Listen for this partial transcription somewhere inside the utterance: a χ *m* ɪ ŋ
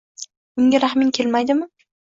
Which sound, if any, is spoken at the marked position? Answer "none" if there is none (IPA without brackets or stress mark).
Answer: m